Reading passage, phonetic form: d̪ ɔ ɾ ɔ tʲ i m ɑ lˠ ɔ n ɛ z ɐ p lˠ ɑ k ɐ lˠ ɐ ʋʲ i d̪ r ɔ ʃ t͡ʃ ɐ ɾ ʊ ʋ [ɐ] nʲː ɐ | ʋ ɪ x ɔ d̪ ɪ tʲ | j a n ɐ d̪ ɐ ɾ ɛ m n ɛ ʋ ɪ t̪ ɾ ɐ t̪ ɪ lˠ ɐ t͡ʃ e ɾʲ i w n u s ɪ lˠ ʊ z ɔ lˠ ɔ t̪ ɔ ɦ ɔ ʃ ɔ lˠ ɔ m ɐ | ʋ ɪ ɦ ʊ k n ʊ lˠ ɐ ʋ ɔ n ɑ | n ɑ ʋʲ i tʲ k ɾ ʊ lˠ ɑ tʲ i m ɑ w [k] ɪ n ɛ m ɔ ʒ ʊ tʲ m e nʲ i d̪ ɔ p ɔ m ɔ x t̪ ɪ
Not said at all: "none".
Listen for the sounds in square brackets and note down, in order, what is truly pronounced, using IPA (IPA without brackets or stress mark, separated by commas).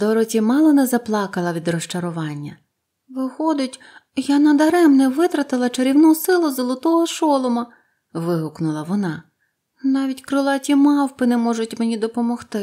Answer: ɑ, p